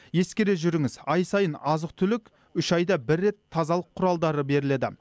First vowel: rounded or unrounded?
unrounded